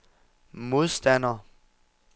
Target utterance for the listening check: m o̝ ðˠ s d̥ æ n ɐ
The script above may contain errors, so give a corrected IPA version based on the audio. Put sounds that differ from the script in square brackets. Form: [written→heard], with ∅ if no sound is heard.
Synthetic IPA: m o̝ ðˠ s d̥ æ n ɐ

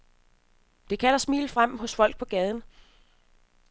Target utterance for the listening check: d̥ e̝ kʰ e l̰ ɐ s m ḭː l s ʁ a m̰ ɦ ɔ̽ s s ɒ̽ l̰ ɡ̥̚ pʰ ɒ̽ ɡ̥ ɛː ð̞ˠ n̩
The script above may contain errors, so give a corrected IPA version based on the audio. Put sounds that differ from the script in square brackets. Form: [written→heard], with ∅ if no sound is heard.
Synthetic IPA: d̥ e̝ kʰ [e→æ] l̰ ɐ s m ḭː l [s→f] ʁ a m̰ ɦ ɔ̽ s [s→f] ɒ̽ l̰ ɡ̥̚ pʰ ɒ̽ ɡ̥ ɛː ð̞ˠ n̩

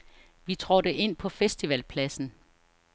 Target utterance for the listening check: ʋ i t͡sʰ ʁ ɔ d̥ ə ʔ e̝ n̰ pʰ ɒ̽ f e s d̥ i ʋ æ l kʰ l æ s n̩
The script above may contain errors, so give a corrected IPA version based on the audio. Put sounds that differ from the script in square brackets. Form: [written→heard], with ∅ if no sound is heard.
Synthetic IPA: ʋ i t͡sʰ ʁ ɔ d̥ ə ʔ e̝ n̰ pʰ ɒ̽ f e s d̥ i ʋ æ l [kʰ→pʰ] l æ s n̩

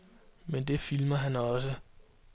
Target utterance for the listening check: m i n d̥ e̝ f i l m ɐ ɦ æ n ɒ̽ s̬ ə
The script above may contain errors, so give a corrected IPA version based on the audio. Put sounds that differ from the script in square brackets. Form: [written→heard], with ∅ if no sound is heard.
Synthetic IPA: m [i→e] n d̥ e̝ f i l m ɐ ɦ æ n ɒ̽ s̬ ə

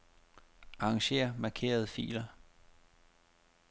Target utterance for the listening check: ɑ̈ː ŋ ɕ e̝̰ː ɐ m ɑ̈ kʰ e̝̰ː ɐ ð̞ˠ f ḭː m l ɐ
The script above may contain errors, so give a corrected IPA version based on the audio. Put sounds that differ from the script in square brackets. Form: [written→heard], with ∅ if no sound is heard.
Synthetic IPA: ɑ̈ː ŋ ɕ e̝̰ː ɐ m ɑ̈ kʰ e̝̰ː ɐ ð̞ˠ f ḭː [m→∅] l ɐ

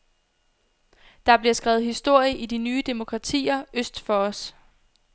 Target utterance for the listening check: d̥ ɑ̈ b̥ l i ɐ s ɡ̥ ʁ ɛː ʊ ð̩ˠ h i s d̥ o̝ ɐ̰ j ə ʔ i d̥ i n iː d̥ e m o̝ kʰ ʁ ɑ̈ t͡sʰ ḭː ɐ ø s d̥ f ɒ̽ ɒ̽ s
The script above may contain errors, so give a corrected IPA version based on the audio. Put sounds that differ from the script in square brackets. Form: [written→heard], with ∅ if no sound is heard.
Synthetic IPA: d̥ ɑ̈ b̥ l i ɐ s ɡ̥ ʁ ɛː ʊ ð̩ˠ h i s d̥ o̝ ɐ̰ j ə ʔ i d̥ i n [iː→yː] d̥ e m o̝ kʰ ʁ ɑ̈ t͡sʰ ḭː ɐ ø s d̥ f ɒ̽ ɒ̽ s

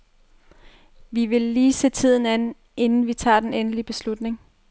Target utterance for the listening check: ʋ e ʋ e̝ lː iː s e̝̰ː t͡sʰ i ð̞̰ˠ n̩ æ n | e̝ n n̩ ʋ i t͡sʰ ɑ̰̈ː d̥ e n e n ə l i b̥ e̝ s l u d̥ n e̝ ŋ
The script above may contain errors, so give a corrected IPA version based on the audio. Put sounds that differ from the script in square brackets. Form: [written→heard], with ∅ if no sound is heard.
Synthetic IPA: ʋ [e→i] ʋ e̝ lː iː s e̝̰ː t͡sʰ i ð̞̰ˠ n̩ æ n | e̝ n n̩ ʋ i t͡sʰ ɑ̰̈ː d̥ e n e n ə l i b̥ e̝ s l u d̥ n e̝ ŋ

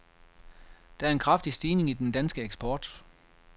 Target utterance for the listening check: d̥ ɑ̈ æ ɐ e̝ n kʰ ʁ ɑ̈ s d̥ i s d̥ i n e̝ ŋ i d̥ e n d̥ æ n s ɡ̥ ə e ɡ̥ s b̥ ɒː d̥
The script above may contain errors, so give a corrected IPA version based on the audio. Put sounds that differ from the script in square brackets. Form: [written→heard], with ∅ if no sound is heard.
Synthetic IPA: d̥ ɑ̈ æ ɐ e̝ n kʰ ʁ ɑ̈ [s→f] d̥ i s d̥ [i→iː] n e̝ ŋ i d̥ e n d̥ æ n s ɡ̥ ə e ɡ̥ s b̥ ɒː d̥

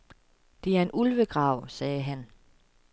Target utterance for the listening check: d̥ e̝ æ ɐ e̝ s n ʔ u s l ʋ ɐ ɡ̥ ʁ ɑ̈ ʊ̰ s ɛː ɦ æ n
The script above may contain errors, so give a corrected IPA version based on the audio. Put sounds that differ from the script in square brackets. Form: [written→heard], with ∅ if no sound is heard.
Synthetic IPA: d̥ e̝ æ ɐ e̝ [s→∅] n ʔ u [s→∅] l ʋ [ɐ→ə] ɡ̥ ʁ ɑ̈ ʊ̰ s ɛː ɦ æ n

